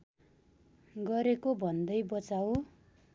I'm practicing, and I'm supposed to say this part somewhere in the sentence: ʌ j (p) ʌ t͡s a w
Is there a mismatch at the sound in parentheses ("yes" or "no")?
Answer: yes